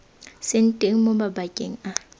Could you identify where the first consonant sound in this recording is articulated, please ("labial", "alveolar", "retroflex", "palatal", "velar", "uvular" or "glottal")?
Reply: alveolar